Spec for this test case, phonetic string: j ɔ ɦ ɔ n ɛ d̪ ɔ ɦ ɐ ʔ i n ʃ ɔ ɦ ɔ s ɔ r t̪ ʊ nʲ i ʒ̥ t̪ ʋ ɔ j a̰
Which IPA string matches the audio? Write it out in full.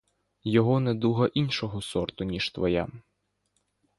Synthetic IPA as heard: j ɔ ɦ ɔ n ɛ d̪ u ɦ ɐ ʔ i n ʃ ɔ ɦ ɔ s ɔ r t̪ ʊ nʲ i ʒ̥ t̪ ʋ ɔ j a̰